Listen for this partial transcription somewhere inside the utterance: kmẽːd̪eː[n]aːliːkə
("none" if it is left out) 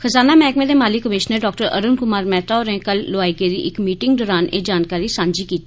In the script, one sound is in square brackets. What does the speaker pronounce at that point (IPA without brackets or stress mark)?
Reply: m